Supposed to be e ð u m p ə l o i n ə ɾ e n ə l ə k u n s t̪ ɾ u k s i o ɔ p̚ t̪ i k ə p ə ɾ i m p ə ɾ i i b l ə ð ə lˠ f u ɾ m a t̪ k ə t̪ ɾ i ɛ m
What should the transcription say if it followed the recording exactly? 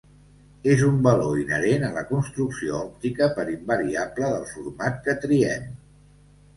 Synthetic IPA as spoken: e z u m b ə l o i n ə ɾ e n ə l ə k u n s t̪ ɾ u k s i o ɔ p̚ t̪ i k ə p ə ɾ i m b ə ɾ i a b l ə ð ə lˠ f u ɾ m a t̪ k ə t̪ ɾ i ɛ m